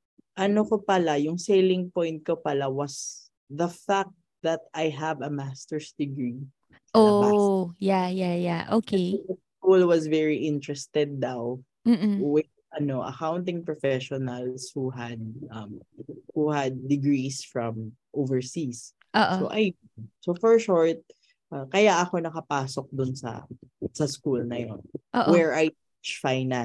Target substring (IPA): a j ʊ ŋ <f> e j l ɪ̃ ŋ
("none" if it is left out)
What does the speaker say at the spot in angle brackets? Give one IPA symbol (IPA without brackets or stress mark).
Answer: s